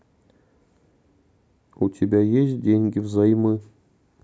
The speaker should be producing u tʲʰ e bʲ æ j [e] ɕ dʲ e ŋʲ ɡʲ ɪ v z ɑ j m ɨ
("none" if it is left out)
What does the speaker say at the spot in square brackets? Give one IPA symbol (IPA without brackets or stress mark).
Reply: e